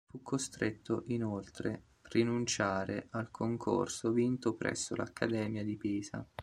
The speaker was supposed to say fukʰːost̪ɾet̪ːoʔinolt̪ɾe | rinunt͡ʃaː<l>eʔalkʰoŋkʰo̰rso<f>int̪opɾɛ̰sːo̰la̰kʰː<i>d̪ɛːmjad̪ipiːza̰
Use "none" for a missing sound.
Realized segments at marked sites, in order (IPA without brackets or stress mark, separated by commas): ɾ, v, a